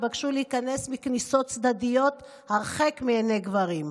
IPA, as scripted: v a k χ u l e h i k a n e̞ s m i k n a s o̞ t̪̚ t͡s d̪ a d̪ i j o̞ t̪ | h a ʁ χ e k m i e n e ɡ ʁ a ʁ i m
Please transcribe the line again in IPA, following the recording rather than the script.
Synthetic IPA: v a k ʃ u l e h i k a n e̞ s m i k n i s o̞ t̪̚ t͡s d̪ a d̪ i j o̞ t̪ | h a ʁ χ e k m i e n e ɡ v a ʁ i m